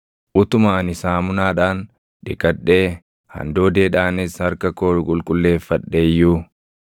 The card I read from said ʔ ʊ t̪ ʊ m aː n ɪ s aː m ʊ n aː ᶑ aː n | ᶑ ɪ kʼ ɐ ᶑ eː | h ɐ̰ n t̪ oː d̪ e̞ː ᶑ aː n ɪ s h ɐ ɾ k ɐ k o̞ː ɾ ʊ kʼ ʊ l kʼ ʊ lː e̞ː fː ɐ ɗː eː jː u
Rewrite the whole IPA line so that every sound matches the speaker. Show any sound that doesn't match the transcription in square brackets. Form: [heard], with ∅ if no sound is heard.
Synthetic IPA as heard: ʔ ʊ t̪ ʊ m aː n ɪ s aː m ʊ n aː ᶑ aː n | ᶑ ɪ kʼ ɐ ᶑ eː | h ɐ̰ n [d̪] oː d̪ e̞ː ᶑ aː n ɪ s h ɐ ɾ k ɐ k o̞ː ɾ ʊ kʼ ʊ l kʼ ʊ lː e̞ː fː ɐ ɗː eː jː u